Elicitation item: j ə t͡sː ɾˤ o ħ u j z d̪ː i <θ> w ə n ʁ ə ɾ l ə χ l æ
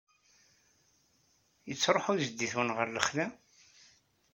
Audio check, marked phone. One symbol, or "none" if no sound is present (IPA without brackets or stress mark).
θ